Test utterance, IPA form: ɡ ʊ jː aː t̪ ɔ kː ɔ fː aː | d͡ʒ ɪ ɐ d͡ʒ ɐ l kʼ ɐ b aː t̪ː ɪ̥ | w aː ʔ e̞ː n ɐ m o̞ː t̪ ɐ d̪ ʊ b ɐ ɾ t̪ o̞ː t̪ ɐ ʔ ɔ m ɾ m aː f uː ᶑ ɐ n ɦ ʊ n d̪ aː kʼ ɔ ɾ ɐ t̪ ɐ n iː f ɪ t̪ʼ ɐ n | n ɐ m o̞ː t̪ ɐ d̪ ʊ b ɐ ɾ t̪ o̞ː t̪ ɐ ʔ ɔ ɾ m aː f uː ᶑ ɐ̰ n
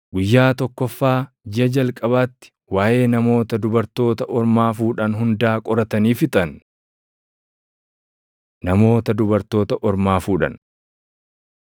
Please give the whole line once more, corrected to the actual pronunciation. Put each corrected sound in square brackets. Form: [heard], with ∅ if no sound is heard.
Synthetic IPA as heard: ɡ ʊ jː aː t̪ ɔ kː ɔ fː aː | d͡ʒ ɪ ɐ d͡ʒ ɐ l kʼ ɐ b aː t̪ː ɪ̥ | w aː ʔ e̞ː n ɐ m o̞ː t̪ ɐ d̪ ʊ b ɐ ɾ t̪ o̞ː t̪ ɐ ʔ ɔ [∅] ɾ m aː f uː ᶑ ɐ n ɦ ʊ n d̪ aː kʼ ɔ ɾ ɐ t̪ ɐ n iː f ɪ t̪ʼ ɐ n | n ɐ m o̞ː t̪ ɐ d̪ ʊ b ɐ ɾ t̪ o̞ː t̪ ɐ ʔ ɔ ɾ m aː f uː ᶑ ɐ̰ n